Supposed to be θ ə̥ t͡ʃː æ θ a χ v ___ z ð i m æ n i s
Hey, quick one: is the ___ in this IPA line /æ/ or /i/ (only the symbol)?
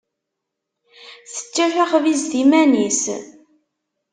i